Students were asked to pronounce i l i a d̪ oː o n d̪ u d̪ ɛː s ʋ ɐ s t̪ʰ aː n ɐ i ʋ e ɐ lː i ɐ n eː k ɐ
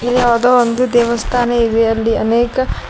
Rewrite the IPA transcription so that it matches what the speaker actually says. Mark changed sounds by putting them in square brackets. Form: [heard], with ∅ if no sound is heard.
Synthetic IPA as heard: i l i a d̪ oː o n d̪ u d̪ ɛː [∅] ʋ ɐ s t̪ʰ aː n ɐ i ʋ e ɐ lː i ɐ n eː k ɐ